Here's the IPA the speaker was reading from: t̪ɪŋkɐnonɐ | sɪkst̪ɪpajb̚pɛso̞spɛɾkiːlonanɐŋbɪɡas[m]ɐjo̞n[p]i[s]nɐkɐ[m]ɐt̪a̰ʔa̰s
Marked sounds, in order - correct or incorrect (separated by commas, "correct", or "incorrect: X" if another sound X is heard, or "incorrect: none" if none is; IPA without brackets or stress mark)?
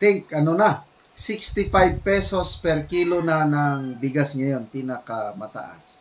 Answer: incorrect: ŋ, correct, incorrect: none, correct